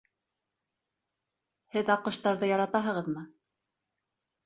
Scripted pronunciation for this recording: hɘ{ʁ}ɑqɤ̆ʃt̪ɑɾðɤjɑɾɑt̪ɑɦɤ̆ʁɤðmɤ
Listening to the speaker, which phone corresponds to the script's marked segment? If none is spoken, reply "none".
ð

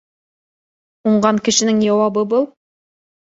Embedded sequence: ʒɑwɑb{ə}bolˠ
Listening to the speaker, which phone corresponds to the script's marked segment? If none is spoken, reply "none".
ə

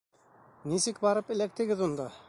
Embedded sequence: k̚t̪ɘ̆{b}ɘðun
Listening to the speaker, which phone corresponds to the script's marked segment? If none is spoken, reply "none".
ɡ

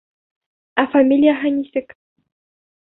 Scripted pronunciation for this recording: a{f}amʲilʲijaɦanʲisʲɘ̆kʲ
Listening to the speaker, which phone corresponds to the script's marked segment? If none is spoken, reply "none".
f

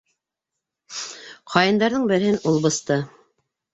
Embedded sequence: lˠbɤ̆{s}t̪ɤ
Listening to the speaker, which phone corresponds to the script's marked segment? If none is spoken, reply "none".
s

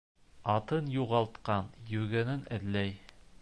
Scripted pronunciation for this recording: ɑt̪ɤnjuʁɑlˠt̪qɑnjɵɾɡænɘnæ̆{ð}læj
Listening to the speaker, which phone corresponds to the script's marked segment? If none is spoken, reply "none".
ð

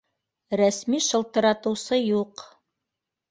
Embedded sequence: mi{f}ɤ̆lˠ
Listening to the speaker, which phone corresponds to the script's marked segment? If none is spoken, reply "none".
ʃ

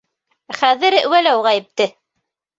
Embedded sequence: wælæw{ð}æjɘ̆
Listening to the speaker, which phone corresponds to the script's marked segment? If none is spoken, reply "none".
ʁ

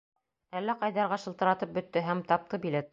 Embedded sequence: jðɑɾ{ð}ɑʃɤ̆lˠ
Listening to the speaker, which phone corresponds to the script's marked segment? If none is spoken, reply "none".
ʁ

